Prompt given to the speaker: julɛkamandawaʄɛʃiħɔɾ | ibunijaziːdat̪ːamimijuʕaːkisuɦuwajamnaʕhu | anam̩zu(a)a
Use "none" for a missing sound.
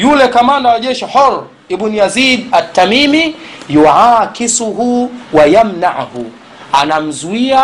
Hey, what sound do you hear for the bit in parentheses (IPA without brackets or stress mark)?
i